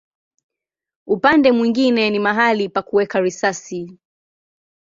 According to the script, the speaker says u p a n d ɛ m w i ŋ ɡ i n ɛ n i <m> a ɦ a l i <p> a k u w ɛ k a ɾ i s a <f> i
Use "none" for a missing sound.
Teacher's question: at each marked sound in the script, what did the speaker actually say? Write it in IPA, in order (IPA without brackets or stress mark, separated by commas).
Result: m, p, s